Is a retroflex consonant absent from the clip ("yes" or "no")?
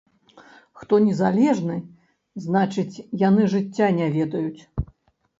no